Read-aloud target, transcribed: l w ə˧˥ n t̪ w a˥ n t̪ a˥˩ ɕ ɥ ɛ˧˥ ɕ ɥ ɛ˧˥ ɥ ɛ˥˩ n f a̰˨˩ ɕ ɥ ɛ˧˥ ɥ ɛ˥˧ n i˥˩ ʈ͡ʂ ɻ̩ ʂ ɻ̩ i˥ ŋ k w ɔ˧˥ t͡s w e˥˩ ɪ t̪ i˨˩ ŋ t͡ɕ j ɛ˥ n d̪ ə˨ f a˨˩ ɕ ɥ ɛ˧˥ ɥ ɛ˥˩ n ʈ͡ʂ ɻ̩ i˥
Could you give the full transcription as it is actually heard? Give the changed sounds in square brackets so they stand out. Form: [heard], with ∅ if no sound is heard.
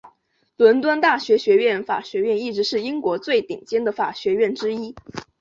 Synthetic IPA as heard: l w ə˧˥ n t̪ w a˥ n t̪ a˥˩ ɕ ɥ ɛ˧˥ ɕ ɥ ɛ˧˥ ɥ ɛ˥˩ n f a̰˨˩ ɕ ɥ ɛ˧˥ ɥ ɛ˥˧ n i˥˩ ʈ͡ʂ ɻ̩ ʂ ɻ̩ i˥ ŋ k w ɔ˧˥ t͡s w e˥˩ ɪ t̪ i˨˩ ŋ t͡ɕ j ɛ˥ n d̪ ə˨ f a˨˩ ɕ ɥ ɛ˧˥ ɥ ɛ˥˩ n ʈ͡ʂ ɻ̩ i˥

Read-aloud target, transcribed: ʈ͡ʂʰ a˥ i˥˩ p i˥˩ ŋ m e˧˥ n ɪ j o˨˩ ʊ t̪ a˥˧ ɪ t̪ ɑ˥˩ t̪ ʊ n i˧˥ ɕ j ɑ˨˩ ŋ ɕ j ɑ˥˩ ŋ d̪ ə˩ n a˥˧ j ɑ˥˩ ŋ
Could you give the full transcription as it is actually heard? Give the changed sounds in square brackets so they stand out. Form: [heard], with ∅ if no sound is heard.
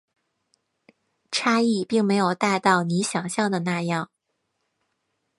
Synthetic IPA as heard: ʈ͡ʂʰ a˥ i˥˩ p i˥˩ ŋ m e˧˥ [∅] ɪ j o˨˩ ʊ t̪ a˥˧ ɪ t̪ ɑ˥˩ [∅] ʊ n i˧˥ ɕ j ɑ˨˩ ŋ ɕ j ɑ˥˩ ŋ d̪ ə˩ n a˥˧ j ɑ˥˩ ŋ

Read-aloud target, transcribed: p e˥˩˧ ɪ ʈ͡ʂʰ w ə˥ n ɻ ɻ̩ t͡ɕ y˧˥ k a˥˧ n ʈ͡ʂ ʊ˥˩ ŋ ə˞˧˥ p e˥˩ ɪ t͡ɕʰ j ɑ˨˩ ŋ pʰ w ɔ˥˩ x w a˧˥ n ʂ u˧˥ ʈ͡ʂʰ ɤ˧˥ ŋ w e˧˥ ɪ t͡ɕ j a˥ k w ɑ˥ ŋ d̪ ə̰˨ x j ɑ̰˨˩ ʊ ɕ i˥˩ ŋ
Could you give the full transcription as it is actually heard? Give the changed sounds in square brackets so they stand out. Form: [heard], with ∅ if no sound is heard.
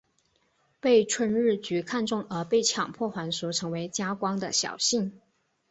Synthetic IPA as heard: p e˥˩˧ ɪ ʈ͡ʂʰ w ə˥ n ɻ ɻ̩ t͡ɕ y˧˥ [kʰ] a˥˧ n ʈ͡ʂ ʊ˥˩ ŋ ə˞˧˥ p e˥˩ ɪ t͡ɕʰ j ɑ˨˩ ŋ pʰ w ɔ˥˩ x w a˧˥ n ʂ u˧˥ ʈ͡ʂʰ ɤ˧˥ ŋ w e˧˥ ɪ t͡ɕ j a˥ k w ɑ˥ ŋ d̪ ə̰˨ [ɕ] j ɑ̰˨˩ ʊ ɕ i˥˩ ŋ

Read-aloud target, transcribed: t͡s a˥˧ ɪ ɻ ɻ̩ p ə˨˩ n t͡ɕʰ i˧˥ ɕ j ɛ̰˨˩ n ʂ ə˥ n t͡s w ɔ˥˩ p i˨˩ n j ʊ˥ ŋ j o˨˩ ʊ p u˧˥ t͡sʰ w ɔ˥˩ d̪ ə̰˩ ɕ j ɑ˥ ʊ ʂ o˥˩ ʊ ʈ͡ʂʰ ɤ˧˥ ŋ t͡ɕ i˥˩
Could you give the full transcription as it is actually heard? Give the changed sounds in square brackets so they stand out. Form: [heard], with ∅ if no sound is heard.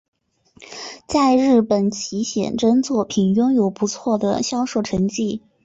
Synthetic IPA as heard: t͡s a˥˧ ɪ ɻ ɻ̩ p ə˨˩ n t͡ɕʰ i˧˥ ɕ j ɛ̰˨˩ n [ʈ͡ʂ] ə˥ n t͡s w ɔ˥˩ [pʰ] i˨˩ n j ʊ˥ ŋ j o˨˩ ʊ p u˧˥ t͡sʰ w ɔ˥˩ d̪ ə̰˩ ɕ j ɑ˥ ʊ ʂ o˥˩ ʊ ʈ͡ʂʰ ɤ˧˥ ŋ t͡ɕ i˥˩

